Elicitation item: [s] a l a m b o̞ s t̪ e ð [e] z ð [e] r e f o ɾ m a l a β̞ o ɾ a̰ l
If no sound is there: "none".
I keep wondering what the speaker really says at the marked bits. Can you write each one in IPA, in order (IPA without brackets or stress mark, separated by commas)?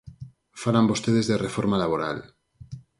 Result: f, e, e